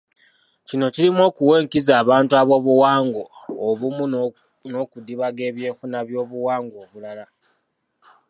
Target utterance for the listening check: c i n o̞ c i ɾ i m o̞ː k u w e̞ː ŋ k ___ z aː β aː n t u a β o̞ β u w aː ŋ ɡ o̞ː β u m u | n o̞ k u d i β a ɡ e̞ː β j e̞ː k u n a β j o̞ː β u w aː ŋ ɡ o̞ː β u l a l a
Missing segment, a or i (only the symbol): i